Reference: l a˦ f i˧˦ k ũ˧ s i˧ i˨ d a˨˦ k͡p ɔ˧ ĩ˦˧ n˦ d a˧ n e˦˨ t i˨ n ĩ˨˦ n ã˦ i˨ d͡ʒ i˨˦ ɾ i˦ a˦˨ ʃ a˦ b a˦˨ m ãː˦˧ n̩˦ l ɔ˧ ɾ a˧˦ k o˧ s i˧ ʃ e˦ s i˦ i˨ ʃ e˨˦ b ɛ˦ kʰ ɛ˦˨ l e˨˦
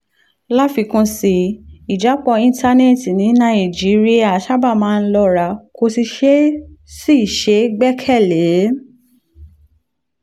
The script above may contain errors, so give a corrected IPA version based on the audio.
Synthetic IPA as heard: l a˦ f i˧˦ k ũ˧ s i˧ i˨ d͡ʒ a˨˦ k͡p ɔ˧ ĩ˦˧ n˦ t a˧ n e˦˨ t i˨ n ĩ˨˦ n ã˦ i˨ d͡ʒ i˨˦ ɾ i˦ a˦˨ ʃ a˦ b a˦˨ m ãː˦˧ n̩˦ l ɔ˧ ɾ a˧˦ k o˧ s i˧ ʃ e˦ s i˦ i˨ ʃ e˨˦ ɡ͡b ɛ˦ kʰ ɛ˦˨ l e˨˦

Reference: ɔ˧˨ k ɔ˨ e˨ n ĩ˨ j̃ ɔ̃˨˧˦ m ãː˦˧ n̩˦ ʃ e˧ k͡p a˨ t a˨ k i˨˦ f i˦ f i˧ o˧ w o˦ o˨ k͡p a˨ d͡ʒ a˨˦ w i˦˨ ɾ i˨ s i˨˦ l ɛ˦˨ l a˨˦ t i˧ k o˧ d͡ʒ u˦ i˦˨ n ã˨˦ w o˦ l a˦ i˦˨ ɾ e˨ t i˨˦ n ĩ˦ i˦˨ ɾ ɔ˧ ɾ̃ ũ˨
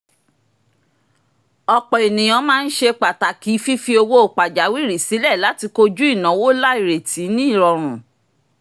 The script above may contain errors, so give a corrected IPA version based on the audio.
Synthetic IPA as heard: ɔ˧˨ k͡p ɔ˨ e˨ n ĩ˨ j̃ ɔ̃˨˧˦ m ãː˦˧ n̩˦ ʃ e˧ k͡p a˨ t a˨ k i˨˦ f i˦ f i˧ o˧ w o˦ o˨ k͡p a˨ d͡ʒ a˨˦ w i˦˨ ɾ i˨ s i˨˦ l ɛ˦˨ l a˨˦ t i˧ k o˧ d͡ʒ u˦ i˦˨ n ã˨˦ w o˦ l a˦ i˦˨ ɾ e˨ t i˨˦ n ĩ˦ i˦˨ ɾ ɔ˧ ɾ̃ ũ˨

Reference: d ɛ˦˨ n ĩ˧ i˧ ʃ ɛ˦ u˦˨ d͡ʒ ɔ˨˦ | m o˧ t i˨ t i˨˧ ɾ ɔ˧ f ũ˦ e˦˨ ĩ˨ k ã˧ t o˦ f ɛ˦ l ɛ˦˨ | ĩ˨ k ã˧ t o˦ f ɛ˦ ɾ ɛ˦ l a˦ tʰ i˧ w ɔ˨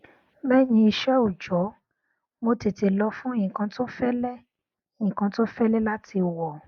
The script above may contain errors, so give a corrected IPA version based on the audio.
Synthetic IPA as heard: b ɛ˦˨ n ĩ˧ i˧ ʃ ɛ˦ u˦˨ d͡ʒ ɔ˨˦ | m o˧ t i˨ t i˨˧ l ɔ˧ f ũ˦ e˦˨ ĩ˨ k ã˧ t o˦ f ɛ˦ l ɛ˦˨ | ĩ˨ k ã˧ t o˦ f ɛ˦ l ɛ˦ l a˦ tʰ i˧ w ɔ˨

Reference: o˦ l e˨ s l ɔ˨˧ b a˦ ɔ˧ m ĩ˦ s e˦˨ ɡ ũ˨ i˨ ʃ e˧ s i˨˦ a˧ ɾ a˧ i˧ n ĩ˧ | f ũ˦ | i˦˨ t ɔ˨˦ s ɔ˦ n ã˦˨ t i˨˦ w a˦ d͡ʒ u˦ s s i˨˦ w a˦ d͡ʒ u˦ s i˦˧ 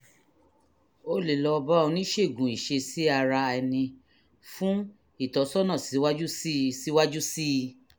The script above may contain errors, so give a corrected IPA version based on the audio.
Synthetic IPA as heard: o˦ l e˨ l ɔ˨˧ b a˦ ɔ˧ n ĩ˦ ʃ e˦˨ ɡ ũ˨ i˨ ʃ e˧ s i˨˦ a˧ ɾ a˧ ɛ˧ n ĩ˧ | f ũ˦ | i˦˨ t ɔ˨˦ s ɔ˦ n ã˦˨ s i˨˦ w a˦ d͡ʒ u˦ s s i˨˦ w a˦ d͡ʒ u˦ s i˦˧

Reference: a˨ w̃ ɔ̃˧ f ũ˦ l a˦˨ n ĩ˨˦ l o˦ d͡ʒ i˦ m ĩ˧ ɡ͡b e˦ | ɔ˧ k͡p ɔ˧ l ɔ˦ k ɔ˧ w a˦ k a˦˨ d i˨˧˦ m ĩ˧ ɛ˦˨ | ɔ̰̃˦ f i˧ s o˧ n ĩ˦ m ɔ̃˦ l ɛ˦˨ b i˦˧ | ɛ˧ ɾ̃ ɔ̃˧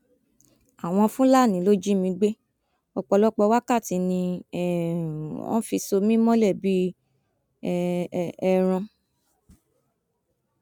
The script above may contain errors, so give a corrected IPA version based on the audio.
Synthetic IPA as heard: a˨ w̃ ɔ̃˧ f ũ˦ l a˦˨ n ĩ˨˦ l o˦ d͡ʒ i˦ m ĩ˧ ɡ͡b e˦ | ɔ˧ k͡p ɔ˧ l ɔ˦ k͡p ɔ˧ w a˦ k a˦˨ t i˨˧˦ n ĩ˧ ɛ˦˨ | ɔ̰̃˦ f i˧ s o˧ m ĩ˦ m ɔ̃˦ l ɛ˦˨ b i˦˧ | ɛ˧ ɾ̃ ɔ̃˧

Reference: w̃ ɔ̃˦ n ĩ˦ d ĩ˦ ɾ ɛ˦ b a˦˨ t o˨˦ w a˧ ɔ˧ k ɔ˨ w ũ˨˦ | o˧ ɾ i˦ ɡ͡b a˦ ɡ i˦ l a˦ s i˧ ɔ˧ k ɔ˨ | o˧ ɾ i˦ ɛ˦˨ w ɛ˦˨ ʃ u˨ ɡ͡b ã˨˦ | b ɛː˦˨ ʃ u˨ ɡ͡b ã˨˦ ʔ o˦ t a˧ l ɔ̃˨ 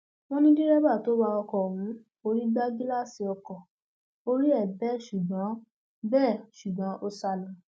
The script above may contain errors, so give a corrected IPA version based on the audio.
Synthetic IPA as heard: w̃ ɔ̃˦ n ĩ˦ d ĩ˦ ɾ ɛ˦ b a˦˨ t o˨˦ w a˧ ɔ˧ k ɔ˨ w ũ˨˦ | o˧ ɾ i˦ ɡ͡b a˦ ɡ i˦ l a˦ s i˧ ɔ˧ k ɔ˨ | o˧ ɾ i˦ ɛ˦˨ b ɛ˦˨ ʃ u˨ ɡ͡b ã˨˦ | b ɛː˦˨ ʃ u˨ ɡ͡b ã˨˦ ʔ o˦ s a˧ l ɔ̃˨

